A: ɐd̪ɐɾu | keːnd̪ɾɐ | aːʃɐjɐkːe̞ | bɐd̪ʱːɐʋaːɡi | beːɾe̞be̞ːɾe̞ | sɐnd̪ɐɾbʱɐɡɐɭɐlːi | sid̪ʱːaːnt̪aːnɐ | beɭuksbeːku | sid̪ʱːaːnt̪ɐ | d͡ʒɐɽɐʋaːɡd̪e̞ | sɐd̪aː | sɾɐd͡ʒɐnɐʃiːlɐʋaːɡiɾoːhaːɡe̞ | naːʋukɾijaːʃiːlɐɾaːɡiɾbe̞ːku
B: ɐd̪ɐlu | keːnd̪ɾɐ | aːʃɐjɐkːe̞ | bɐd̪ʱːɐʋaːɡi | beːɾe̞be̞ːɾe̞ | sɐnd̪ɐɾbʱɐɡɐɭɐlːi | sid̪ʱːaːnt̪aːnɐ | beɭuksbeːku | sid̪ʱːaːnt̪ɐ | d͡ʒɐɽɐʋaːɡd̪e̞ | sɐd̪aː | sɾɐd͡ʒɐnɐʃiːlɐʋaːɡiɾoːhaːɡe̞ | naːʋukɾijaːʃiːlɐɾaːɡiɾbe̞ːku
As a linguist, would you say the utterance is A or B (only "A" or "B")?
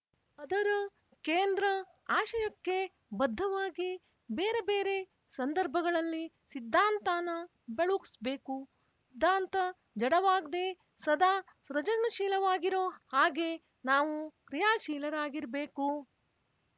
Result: A